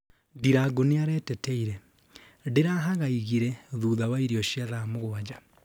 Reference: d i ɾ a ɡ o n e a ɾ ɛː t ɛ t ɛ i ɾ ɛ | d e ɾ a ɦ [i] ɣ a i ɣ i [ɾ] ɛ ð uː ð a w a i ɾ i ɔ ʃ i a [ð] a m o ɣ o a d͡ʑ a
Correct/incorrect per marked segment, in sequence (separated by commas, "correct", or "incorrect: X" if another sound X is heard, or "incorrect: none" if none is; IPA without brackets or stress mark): incorrect: a, correct, correct